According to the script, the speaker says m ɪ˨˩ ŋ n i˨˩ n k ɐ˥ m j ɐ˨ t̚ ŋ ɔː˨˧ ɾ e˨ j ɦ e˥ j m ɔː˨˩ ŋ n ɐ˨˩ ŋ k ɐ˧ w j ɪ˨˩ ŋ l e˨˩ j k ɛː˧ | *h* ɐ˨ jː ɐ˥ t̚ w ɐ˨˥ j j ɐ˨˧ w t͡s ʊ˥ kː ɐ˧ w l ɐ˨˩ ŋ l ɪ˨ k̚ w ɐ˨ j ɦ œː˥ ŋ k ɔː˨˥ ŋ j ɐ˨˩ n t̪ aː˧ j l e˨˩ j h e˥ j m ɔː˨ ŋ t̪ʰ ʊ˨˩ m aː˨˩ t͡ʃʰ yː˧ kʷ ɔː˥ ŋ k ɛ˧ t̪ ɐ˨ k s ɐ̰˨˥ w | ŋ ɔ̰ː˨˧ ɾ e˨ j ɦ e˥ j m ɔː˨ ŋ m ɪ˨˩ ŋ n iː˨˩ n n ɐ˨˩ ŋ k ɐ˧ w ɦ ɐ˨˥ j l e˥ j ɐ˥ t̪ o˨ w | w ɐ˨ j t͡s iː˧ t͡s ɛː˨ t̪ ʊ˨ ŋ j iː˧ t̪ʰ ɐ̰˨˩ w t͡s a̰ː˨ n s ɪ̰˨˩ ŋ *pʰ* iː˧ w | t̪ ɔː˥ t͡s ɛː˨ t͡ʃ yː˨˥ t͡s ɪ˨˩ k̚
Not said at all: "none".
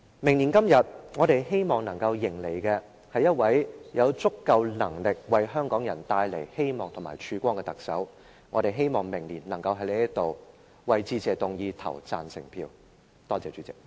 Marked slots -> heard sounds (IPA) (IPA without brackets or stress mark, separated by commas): h, pʰ